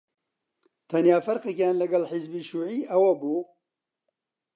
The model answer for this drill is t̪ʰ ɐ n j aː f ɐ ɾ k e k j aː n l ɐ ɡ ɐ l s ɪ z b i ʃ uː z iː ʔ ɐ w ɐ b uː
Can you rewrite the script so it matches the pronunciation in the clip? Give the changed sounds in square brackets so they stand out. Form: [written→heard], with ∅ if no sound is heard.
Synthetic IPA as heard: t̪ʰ ɐ n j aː f ɐ ɾ [k→q] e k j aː n l ɐ ɡ ɐ l [s→ħ] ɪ z b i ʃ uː [z→ʕ] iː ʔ ɐ w ɐ b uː